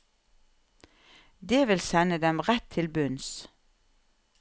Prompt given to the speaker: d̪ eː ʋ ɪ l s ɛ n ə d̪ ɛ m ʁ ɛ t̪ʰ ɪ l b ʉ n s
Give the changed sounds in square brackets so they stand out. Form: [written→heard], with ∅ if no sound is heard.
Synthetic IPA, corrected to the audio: d̪ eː ʋ ɪ l s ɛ n ə d̪ ɛ m ʁ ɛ t̪ʰ ɪ l b ʉ n s